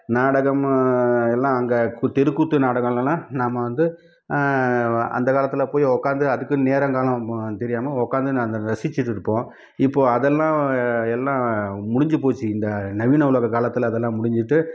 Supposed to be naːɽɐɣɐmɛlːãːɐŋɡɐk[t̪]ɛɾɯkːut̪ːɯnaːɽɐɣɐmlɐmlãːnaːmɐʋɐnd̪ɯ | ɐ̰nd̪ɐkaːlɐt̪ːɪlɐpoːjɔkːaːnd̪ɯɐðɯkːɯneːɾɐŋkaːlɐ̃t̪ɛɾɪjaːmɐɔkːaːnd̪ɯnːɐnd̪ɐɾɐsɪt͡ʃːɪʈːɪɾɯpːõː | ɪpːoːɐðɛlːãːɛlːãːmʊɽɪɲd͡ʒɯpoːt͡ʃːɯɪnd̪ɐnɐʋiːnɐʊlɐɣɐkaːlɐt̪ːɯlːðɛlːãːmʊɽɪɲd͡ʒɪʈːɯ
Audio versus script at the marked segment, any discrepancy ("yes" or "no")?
no